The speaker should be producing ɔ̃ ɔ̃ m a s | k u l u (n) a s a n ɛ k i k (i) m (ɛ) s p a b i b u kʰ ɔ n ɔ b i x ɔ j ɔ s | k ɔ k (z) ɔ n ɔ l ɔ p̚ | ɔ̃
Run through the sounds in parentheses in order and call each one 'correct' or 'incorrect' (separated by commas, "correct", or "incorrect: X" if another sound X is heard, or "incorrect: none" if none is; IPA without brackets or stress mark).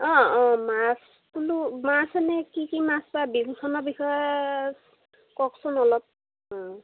incorrect: m, correct, incorrect: a, incorrect: s